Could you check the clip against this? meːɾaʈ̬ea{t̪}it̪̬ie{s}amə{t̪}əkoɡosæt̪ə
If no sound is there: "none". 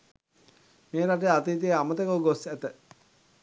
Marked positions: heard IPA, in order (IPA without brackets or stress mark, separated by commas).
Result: t̪, none, t̪